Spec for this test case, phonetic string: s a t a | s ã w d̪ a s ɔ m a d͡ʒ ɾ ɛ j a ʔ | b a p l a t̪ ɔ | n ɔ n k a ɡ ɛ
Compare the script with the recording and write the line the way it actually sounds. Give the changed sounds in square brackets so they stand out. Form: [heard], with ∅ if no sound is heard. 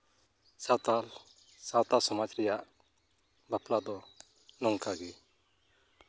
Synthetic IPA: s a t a | s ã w [t̪] a s ɔ m a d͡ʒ ɾ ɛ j a ʔ | b a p l a [d̪] ɔ | n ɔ [ŋ] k a ɡ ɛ